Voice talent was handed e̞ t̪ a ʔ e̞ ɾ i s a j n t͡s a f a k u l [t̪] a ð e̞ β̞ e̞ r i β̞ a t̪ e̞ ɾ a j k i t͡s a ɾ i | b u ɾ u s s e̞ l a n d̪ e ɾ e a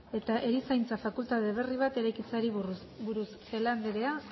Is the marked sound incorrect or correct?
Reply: correct